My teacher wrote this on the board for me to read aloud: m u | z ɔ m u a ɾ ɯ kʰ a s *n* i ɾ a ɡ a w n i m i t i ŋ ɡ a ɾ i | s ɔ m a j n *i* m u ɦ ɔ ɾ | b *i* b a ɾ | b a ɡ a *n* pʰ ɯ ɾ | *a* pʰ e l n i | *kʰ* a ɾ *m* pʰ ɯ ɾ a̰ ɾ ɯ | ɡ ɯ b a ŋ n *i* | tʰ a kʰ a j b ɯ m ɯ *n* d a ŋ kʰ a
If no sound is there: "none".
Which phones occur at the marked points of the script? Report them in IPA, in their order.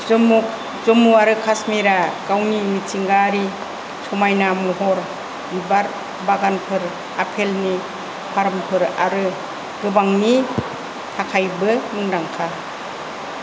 m, a, i, n, a, pʰ, m, i, ŋ

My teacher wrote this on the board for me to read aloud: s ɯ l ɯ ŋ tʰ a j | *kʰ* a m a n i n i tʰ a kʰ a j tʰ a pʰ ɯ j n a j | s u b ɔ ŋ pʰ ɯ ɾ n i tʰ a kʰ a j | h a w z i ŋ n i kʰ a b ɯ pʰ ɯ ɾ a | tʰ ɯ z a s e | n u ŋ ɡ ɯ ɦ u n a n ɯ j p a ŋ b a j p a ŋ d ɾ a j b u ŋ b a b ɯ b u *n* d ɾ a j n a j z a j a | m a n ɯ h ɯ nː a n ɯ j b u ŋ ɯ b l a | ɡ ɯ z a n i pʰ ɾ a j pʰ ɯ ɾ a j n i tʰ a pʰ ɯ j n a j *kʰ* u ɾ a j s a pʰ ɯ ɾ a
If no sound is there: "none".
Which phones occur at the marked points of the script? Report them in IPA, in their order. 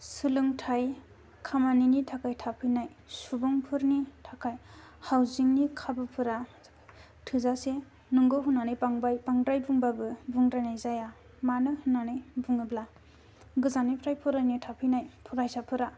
kʰ, ŋ, pʰ

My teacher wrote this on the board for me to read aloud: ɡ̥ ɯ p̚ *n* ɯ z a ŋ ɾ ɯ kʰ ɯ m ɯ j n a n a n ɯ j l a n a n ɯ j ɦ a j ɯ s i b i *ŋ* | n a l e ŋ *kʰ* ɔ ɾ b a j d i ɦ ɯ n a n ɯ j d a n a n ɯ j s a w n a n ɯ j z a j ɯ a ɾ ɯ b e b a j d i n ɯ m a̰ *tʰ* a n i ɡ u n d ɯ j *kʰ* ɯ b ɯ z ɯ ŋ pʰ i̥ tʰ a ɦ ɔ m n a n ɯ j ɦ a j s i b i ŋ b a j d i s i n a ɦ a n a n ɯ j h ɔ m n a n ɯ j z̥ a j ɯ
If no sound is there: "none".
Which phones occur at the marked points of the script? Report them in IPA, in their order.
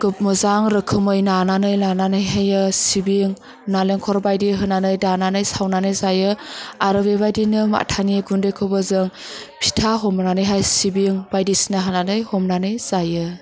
m, ŋ, kʰ, tʰ, kʰ

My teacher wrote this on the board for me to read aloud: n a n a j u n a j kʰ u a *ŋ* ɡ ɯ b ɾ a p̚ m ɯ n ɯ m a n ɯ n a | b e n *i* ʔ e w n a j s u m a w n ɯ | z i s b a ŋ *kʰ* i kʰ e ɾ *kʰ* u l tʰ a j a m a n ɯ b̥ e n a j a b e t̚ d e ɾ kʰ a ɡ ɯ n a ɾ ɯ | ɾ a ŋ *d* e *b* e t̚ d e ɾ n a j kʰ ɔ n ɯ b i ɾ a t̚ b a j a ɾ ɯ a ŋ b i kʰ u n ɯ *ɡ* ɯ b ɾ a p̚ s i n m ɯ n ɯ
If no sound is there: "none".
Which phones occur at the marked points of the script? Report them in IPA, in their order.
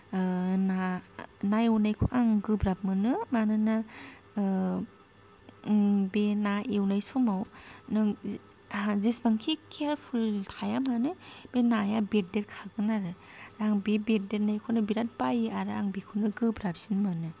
ŋ, a, kʰ, pʰ, b, b, ɡ

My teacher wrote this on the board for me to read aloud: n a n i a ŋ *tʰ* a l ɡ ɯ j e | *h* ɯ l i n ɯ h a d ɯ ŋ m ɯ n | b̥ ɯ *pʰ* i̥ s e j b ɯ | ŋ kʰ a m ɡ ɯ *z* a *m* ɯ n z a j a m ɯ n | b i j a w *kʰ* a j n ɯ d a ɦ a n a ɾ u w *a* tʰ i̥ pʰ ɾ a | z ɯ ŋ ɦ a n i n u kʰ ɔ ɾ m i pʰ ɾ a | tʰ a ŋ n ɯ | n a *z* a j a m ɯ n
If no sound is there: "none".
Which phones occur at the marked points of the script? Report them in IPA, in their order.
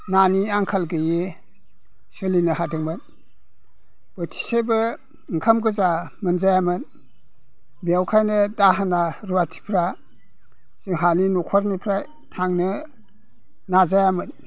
kʰ, s, tʰ, z, m, kʰ, a, z

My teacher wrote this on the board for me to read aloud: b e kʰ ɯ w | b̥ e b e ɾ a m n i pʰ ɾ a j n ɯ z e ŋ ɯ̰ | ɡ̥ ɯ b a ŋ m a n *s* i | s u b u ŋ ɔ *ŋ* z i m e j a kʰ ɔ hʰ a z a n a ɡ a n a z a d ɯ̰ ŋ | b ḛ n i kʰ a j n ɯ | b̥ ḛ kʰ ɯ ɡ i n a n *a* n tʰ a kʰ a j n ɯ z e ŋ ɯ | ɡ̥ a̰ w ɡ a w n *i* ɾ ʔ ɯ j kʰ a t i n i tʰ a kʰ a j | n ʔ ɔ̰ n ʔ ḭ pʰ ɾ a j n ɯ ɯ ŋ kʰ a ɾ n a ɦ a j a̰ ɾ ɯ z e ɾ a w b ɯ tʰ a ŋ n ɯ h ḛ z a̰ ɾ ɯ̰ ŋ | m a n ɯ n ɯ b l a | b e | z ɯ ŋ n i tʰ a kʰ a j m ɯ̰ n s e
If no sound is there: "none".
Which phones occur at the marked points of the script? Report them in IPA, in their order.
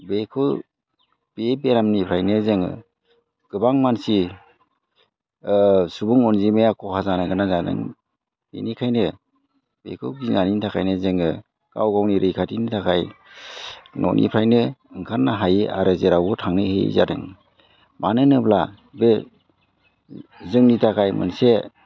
s, n, i, i

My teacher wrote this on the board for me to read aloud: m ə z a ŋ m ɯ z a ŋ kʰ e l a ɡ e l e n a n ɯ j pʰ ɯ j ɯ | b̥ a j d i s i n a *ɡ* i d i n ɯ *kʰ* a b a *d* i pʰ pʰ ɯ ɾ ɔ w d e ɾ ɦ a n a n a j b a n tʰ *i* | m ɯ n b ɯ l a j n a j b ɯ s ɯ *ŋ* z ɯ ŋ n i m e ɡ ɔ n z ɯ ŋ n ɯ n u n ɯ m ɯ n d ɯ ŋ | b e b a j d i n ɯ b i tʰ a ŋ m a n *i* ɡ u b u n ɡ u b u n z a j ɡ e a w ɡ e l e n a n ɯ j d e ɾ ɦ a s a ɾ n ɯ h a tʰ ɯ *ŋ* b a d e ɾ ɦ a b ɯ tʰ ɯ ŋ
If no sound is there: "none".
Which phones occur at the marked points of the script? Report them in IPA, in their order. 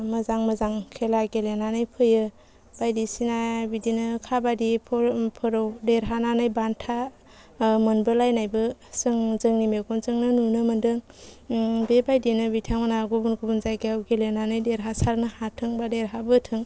b, kʰ, d, a, ŋ, a, ŋ

